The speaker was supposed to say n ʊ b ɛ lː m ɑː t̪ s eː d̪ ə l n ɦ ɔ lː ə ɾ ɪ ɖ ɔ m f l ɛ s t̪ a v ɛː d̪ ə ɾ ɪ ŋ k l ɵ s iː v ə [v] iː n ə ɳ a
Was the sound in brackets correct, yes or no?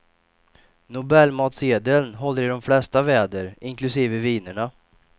yes